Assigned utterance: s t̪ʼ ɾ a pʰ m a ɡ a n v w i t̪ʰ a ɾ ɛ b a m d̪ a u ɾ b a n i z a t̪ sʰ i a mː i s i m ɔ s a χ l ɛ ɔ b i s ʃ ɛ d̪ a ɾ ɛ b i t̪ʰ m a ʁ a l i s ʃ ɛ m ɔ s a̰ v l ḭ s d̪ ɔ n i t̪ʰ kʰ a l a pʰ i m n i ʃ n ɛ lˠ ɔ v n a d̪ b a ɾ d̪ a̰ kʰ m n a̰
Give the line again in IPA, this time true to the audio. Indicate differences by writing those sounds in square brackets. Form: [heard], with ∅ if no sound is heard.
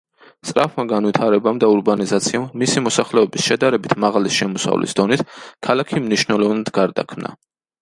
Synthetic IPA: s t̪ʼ ɾ a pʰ m a ɡ a n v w i t̪ʰ a ɾ ɛ b a m d̪ a u ɾ b a n i z a t̪ sʰ i a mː i s i m ɔ s a χ l ɛ ɔ b i s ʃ ɛ d̪ a ɾ ɛ b i t̪ʰ m a ʁ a l i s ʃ ɛ m ɔ s a̰ v l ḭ s d̪ ɔ n i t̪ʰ kʰ a l a [kʰ] i m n i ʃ n ɛ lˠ ɔ v n a d̪ [ɡ] a ɾ d̪ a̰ kʰ m n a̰